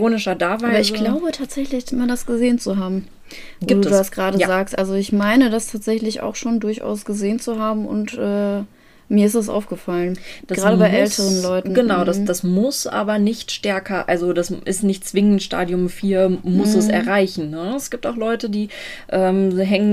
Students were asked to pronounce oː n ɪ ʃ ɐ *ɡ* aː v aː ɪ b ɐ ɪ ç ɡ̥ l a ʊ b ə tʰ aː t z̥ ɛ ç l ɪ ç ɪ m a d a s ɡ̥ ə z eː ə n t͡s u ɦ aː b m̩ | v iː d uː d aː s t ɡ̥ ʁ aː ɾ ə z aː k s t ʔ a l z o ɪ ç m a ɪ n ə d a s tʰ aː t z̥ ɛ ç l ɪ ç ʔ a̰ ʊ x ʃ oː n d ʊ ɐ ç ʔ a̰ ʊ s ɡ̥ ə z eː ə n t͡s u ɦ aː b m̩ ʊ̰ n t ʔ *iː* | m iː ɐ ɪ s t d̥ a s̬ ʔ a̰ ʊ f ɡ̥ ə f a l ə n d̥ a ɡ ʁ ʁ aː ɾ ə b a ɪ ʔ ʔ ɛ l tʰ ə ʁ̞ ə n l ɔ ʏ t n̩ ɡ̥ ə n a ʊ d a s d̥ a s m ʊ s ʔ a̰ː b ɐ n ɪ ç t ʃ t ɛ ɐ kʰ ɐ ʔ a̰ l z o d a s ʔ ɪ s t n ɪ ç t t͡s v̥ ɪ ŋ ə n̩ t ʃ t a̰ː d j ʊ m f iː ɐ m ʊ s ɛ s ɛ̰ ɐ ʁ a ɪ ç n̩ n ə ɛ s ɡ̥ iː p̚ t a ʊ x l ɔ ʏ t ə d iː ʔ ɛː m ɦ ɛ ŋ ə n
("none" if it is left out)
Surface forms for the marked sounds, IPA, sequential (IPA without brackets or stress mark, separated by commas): d, ɛː